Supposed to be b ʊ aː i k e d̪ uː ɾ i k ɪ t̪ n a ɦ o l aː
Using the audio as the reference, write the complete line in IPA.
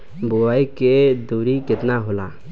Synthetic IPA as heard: b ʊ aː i k e d̪ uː ɾ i k ɪ t̪ n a ɦ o l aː